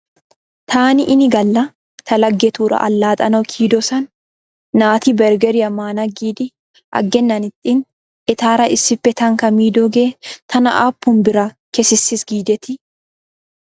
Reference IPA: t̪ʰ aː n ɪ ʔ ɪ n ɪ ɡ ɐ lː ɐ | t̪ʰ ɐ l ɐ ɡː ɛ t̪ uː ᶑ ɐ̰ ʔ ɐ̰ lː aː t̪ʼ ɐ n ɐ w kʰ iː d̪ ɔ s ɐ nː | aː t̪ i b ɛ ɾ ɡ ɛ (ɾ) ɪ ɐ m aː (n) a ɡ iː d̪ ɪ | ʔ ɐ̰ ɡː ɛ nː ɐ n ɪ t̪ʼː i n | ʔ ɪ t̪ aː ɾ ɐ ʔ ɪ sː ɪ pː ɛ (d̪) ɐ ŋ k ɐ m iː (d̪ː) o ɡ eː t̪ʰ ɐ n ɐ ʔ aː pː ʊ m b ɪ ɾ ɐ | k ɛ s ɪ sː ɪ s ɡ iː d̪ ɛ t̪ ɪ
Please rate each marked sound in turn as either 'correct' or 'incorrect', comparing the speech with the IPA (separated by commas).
correct, correct, incorrect, incorrect